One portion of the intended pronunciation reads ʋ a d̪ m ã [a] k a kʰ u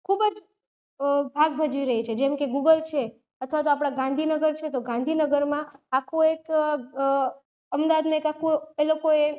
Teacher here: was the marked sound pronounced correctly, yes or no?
no